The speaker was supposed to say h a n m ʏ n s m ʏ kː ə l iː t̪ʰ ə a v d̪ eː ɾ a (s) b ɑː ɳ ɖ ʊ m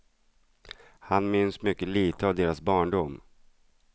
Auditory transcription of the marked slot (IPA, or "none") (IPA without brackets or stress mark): s